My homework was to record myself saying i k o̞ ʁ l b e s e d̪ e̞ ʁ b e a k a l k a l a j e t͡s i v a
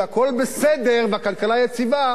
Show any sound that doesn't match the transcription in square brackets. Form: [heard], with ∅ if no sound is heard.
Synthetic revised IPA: [a] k o̞ [∅] l b e s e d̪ e̞ ʁ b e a k a l k a l a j e t͡s i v a

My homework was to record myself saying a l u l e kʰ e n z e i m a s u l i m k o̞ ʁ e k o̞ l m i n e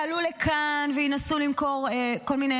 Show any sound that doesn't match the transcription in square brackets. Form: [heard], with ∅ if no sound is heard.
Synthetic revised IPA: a l u l e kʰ [a] n [v] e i [n] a s u l i m k o̞ ʁ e k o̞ l m i n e

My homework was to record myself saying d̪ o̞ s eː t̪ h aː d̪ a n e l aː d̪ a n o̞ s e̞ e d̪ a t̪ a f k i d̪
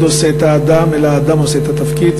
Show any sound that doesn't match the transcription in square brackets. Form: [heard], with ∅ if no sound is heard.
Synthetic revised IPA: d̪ o̞ s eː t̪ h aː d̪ a [m] e l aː d̪ a [m] o̞ s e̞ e [t̪] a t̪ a f k i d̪

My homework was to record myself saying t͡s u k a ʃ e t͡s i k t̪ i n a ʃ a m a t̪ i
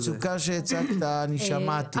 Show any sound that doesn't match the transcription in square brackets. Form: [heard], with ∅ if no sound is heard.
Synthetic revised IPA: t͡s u k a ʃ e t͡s [a] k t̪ [a] n [i] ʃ a m a t̪ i

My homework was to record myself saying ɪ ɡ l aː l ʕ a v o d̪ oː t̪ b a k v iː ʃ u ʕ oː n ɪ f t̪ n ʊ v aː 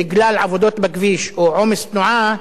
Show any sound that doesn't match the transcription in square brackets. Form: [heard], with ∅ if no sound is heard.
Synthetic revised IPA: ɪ ɡ l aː l ʕ a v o d̪ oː t̪ b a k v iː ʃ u ʕ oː [m] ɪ [s] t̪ n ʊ [ʕ] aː

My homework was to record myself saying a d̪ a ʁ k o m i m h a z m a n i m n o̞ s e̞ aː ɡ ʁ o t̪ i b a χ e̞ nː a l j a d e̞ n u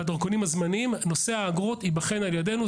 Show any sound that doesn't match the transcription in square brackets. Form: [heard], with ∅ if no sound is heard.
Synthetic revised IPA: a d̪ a ʁ k o [n] i m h a z m a n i m n o̞ s e̞ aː ɡ ʁ o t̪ i b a χ e̞ [n] a l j a d e̞ n u

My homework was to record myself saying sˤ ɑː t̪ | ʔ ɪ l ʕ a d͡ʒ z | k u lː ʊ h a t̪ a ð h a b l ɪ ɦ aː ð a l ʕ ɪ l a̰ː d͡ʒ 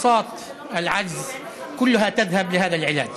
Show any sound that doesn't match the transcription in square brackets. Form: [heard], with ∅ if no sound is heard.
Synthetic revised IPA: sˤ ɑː t̪ | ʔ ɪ l ʕ a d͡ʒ z | k [ʊ] lː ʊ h a t̪ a ð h a b l ɪ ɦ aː ð a l ʕ ɪ l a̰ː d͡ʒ

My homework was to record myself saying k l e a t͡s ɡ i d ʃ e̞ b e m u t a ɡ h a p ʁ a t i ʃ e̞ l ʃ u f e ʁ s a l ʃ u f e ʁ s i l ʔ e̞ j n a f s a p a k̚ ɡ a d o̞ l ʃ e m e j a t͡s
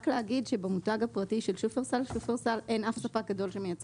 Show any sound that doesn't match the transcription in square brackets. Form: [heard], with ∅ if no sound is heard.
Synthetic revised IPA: k l e a [∅] ɡ i d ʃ e̞ b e m u t a ɡ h a p ʁ a t i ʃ e̞ l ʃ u f e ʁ s a l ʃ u f e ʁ s [a] l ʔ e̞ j n a f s a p a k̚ ɡ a d o̞ l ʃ e m e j a t͡s

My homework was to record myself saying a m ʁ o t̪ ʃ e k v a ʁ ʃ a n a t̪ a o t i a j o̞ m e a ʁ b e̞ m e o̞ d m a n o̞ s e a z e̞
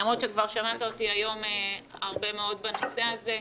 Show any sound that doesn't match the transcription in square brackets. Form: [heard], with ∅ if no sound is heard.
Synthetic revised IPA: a m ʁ o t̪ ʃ e k v a ʁ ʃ a [m] a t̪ a o t i a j o̞ m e a ʁ b e̞ m e o̞ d [b] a n o̞ s e a z e̞

